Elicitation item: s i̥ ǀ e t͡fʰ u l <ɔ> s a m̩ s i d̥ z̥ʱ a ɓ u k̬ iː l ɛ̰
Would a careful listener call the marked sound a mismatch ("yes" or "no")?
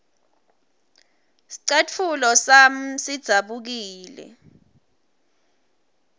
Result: no